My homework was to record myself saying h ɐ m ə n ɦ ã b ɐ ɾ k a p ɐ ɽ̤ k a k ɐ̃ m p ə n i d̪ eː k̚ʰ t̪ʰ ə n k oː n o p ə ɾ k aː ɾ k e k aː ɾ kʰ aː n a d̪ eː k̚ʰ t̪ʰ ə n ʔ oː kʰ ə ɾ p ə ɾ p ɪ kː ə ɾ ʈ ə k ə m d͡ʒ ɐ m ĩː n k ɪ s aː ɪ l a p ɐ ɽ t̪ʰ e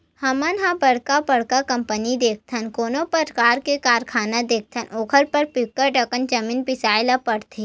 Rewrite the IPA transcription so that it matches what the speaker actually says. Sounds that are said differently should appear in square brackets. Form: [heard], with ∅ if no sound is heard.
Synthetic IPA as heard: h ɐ m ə n ɦ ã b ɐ [ɽ] k a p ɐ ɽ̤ k a k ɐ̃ m p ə n i d̪ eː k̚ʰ t̪ʰ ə n k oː n o p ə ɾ k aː ɾ k e k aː ɾ kʰ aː n a d̪ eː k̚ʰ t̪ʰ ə n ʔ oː kʰ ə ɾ p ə ɾ p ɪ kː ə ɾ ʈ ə k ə [n] d͡ʒ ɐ m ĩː n [p] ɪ s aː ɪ l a p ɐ ɽ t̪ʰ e